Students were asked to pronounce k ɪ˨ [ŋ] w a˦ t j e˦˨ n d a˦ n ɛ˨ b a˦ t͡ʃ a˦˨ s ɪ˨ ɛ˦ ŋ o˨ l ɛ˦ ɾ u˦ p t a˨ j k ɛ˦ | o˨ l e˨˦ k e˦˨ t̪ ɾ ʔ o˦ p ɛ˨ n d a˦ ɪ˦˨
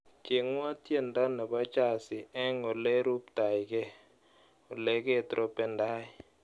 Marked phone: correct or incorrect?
correct